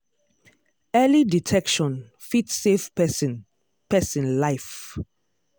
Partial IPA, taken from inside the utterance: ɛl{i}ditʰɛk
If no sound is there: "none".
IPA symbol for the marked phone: i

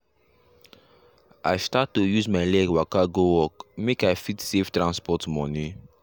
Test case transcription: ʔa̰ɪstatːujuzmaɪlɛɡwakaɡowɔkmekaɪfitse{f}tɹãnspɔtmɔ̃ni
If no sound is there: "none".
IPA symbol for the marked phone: f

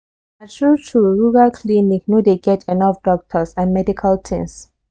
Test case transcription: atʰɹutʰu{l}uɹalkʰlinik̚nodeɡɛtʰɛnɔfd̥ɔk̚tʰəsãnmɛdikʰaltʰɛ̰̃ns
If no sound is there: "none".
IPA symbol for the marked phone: ɹ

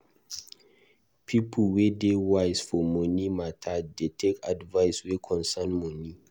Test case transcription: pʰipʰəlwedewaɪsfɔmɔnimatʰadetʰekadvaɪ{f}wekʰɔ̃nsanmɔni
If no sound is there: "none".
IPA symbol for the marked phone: s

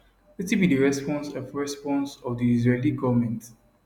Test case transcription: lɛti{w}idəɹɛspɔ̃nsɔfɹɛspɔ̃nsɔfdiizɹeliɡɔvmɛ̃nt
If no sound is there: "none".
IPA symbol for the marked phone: b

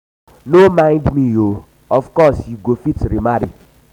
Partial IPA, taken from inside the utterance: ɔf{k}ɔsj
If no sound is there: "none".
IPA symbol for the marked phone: k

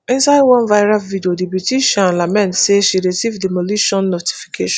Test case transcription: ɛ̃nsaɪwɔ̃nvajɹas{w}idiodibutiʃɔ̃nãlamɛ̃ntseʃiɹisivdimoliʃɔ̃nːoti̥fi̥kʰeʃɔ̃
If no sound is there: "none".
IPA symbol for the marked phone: v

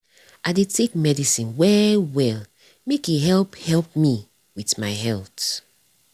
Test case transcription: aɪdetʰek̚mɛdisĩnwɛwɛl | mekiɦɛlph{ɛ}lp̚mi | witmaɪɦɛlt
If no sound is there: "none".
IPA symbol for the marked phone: ɛ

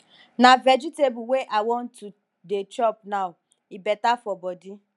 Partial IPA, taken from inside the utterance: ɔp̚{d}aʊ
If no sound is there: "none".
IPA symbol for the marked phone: n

